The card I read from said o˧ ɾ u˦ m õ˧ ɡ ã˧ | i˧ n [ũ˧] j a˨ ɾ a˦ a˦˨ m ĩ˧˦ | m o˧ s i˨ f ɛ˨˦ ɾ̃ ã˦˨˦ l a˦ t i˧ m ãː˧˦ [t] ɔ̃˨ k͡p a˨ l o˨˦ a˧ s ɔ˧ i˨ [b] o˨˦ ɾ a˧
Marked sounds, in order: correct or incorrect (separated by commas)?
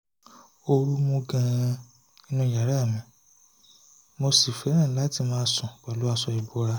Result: correct, incorrect, correct